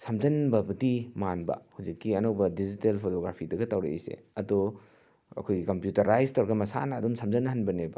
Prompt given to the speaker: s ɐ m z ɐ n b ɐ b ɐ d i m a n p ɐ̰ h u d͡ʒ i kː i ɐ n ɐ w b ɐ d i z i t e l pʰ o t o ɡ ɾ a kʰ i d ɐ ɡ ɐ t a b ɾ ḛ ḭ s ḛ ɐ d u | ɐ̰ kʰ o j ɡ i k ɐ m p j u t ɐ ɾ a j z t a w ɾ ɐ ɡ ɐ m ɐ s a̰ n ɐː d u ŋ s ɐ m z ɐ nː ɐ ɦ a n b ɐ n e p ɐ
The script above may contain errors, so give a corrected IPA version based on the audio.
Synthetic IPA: s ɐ m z ɐ n b ɐ b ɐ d i m a n b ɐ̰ h u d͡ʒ i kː i ɐ n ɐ w b ɐ d i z i t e l pʰ o t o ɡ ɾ a pʰ i d ɐ ɡ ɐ t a w ɾ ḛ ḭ s ḛ ɐ d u | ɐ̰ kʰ o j ɡ i k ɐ m p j u t ɐ ɾ a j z t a w ɾ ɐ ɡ ɐ m ɐ s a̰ n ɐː d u m s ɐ m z ɐ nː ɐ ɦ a n b ɐ n e b ɐ